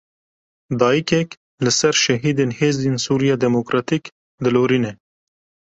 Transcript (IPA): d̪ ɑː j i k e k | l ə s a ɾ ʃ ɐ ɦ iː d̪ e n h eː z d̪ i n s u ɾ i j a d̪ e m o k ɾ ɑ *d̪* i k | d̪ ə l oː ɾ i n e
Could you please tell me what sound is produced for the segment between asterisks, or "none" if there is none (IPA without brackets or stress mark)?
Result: t̪